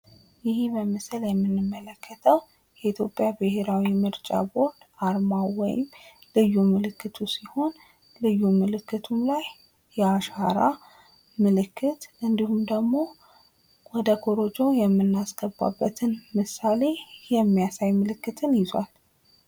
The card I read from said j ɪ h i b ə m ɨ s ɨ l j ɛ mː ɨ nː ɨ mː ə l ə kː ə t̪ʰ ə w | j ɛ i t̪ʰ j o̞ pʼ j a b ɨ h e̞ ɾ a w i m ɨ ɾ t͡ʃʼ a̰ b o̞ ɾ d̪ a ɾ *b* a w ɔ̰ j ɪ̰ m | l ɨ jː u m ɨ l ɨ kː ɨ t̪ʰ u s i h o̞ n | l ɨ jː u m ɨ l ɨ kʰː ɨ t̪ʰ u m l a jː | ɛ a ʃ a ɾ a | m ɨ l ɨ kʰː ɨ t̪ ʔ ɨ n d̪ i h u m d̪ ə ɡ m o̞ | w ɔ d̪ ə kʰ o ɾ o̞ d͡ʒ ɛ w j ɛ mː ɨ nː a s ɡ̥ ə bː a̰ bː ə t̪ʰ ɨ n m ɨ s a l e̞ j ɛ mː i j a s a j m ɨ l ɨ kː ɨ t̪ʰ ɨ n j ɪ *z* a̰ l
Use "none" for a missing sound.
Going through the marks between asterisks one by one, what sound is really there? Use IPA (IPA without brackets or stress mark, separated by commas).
m, z